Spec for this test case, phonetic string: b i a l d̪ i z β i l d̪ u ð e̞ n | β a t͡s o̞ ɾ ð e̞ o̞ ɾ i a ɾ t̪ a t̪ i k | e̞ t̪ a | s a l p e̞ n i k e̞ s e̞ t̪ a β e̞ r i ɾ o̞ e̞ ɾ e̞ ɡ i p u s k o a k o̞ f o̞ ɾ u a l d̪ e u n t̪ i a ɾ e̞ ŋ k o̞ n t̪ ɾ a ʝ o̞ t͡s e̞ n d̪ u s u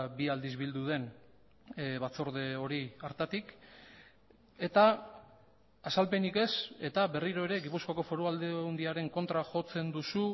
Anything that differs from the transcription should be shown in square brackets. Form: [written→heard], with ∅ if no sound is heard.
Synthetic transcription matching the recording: b i a l d̪ i z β i l d̪ u ð e̞ n | β a t͡s o̞ ɾ ð e̞ o̞ ɾ i a ɾ t̪ a t̪ i k | e̞ t̪ a | s a l p e̞ n i k e̞ s e̞ t̪ a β e̞ r i ɾ o̞ e̞ ɾ e̞ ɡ i p u s k o a k o̞ f o̞ ɾ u a l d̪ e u n [t̪→d̪] i a ɾ e̞ ŋ k o̞ n t̪ ɾ a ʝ o̞ t͡s e̞ n d̪ u s u